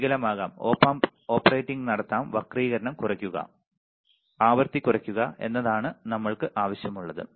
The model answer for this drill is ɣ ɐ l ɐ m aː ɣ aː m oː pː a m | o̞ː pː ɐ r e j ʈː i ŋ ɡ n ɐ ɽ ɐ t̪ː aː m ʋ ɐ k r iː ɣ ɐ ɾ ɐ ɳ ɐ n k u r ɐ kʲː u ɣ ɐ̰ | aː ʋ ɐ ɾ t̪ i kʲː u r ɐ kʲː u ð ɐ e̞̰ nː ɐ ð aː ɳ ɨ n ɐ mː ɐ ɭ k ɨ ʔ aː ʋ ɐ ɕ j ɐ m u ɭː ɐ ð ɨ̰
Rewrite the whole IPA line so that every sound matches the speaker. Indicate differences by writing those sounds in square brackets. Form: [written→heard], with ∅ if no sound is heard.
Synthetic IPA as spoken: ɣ ɐ l ɐ m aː ɣ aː m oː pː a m | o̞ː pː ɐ r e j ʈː i ŋ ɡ n ɐ ɽ ɐ t̪ː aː m ʋ ɐ k r iː ɣ ɐ ɾ ɐ ɳ ɐ [n→m] k u r ɐ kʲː u ɣ ɐ̰ | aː ʋ ɐ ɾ t̪ i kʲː u r ɐ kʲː u [ð→ɣ] ɐ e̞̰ nː ɐ ð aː ɳ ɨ n ɐ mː ɐ ɭ k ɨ ʔ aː ʋ ɐ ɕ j ɐ m u ɭː ɐ ð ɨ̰